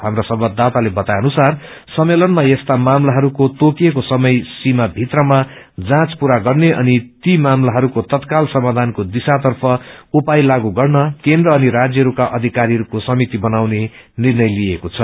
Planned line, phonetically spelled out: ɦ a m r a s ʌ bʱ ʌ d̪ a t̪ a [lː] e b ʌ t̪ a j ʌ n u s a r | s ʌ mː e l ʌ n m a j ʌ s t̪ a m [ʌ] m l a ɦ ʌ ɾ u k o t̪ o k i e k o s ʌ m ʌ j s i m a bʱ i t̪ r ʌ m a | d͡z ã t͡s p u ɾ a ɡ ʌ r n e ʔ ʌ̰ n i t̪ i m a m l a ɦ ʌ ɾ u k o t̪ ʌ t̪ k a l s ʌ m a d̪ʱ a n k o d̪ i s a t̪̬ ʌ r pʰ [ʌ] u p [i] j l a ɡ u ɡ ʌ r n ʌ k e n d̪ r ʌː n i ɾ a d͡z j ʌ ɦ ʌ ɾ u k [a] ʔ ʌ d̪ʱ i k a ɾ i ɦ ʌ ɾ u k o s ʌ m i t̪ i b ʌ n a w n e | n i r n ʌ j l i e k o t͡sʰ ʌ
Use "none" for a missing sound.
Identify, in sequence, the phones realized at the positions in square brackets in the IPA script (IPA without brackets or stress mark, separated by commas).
l, a, ʌ, a, a